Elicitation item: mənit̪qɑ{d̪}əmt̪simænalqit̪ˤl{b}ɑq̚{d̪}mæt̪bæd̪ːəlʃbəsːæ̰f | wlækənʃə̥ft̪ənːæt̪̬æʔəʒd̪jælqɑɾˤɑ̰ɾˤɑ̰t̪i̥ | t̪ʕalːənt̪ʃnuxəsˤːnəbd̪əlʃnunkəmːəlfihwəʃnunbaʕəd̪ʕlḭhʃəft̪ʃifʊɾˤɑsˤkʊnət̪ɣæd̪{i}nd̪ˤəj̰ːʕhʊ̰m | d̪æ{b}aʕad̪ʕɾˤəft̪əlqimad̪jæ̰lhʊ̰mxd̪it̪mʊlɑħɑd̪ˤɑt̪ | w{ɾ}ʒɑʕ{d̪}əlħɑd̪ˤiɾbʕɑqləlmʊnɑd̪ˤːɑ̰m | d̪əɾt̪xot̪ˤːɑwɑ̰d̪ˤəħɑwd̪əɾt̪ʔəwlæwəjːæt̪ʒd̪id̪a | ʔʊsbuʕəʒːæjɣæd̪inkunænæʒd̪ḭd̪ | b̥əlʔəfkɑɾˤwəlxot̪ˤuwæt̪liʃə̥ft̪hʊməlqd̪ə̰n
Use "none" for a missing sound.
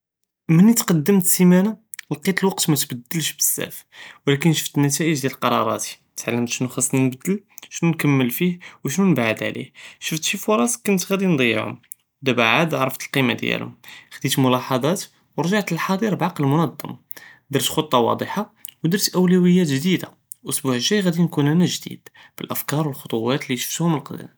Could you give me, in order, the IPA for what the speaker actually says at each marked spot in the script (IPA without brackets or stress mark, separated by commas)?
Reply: d̪ː, w, t̪, i, b, ɾ, t̪